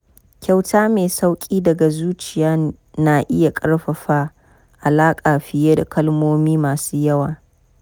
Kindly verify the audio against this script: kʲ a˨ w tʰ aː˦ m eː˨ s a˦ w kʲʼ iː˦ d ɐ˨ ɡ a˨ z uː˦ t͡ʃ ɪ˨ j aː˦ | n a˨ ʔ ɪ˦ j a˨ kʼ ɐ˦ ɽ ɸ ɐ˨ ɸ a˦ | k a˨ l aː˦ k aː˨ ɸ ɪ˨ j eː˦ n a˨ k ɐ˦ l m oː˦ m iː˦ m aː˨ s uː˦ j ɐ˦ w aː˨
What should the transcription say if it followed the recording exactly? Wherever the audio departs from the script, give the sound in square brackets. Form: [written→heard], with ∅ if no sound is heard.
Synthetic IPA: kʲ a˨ w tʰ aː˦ m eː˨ s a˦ w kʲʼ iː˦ d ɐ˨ ɡ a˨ z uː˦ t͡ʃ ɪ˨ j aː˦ | n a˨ ʔ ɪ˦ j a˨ kʼ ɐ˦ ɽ ɸ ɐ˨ ɸ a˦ | [k→ʔ] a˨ l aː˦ [k→kʼ] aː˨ ɸ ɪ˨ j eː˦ [n→d] a˨ k ɐ˦ l m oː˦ m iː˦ m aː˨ s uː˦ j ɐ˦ w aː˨